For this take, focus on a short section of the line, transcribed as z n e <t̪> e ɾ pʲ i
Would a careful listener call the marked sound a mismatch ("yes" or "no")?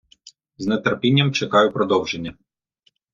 no